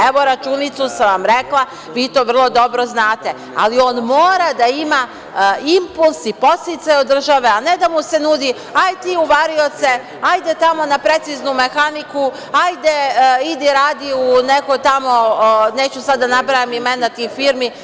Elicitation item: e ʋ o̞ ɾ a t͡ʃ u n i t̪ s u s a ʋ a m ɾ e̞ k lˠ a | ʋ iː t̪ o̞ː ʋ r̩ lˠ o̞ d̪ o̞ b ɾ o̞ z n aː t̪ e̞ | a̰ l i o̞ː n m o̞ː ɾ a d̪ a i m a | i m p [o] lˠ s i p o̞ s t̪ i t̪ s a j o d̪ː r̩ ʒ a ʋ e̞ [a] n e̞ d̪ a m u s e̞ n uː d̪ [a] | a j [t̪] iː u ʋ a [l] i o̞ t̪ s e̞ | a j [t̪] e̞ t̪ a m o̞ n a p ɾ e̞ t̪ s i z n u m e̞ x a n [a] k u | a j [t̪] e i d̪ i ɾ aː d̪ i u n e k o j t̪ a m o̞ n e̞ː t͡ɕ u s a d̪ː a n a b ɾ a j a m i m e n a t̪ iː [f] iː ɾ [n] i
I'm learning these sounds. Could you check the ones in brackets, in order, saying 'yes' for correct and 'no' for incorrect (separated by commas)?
no, yes, no, yes, no, no, no, no, yes, no